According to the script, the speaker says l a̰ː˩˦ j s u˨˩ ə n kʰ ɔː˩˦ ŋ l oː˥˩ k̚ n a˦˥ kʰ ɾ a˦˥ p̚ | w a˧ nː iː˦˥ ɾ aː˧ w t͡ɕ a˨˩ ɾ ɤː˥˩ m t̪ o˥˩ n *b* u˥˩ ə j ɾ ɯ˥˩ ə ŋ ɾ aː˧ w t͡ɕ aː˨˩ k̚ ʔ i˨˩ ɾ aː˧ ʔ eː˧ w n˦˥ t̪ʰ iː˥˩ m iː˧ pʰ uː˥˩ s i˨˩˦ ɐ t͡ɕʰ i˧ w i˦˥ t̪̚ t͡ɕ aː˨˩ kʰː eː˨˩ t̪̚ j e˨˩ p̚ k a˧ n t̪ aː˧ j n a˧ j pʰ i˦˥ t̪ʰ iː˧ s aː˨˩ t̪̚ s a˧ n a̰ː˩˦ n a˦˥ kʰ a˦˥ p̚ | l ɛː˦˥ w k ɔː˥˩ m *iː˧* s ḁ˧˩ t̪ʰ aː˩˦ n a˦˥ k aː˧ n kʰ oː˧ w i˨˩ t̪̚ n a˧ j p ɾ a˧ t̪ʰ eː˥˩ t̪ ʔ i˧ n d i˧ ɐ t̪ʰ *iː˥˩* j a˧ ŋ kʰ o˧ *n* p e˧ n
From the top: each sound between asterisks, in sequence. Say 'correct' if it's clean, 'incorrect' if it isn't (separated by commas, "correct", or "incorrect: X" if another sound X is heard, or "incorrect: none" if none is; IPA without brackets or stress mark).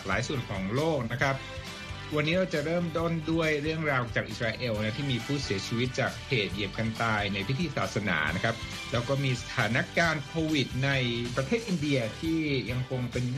incorrect: d, correct, correct, incorrect: ŋ